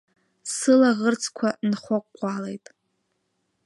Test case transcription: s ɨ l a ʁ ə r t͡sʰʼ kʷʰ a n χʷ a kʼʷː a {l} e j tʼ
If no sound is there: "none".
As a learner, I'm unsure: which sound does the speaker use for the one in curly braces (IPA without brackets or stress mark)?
l